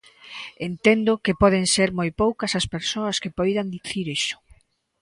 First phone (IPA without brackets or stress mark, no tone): e